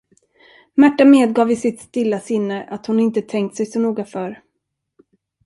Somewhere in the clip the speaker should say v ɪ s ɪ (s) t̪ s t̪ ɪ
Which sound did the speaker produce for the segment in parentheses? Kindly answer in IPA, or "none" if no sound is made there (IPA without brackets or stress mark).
none